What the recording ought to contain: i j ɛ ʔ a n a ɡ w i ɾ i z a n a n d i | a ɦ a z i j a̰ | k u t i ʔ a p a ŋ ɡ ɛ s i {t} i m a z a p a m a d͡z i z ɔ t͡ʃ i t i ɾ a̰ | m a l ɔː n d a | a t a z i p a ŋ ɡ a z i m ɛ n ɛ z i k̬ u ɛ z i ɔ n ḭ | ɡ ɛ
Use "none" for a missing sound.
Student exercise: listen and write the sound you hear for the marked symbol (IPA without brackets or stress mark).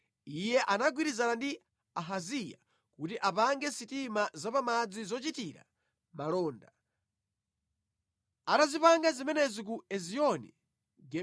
t